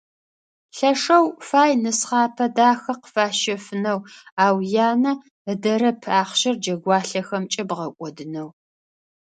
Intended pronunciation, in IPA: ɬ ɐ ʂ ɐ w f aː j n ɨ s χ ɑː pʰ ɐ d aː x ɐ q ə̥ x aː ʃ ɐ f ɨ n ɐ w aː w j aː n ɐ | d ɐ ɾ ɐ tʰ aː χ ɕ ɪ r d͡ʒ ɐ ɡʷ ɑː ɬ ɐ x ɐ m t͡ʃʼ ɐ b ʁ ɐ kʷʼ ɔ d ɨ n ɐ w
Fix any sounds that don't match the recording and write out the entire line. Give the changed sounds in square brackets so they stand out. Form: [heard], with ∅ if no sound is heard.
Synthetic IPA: ɬ ɐ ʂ ɐ w f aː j n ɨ s χ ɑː pʰ ɐ d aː x ɐ q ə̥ [f] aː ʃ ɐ f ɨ n ɐ w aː w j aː n ɐ | d ɐ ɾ ɐ [pʰ] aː χ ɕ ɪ r d͡ʒ ɐ ɡʷ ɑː ɬ ɐ x ɐ m t͡ʃʼ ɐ b ʁ ɐ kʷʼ ɔ d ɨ n ɐ w